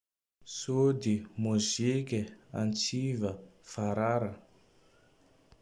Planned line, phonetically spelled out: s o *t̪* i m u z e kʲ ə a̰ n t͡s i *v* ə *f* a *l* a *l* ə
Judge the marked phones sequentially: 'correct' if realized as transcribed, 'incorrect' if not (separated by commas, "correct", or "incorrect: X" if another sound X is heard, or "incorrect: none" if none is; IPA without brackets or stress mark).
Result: incorrect: d̪, correct, correct, incorrect: ɾ, incorrect: ɾ